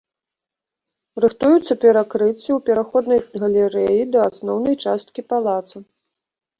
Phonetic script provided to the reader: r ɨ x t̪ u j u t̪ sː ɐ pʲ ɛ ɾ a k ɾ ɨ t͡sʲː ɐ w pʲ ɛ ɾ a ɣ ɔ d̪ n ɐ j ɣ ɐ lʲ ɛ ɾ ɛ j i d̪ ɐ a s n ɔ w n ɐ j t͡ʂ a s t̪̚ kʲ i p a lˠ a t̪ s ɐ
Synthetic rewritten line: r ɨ x t̪ u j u t̪ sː ɐ pʲ ɛ ɾ a k ɾ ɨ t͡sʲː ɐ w pʲ ɛ ɾ a x ɔ d̪ n ɐ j ɣ ɐ lʲ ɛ ɾ ɛ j i d̪ ɐ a s n ɔ w n ɐ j t͡ʂ a s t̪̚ kʲ i p a lˠ a t̪ s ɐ